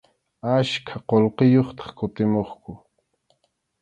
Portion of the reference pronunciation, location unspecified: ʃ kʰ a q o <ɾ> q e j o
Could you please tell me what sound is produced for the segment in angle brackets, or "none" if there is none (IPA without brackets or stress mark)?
l